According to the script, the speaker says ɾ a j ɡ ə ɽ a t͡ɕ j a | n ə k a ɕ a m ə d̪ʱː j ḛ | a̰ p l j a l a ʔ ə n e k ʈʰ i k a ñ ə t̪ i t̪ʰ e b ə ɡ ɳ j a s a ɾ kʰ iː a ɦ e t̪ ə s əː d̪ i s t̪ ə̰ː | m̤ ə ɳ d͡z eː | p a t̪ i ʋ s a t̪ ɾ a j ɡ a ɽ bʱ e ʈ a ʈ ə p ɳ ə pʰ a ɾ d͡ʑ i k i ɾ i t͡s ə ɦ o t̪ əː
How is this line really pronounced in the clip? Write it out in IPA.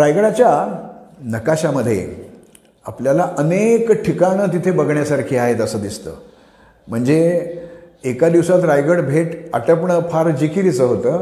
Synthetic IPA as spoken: ɾ a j ɡ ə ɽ a t͡ɕ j a | n ə k a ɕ a m ə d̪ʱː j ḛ | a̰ p l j a l a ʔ ə n e k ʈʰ i k a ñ ə t̪ i t̪ʰ e b ə ɡ ɳ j a s a ɾ kʰ iː a ɦ e t̪ ə s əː d̪ i s t̪ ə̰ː | m̤ ə ɳ d͡z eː | k a d̪ i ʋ s a t̪ ɾ a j ɡ ə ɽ bʱ e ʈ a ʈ ə p ɳ ə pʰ a ɾ d͡ʑ i k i ɾ i t͡s ə ɦ o t̪ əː